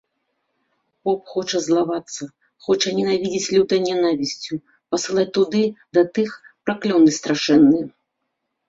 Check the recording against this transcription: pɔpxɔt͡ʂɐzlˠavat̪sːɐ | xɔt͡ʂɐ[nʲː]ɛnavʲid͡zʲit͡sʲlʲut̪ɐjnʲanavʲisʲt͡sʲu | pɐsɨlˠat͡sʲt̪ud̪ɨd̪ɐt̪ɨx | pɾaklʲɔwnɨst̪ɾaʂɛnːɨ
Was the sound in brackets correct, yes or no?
no